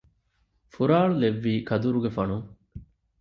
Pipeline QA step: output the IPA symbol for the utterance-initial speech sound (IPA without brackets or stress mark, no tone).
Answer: f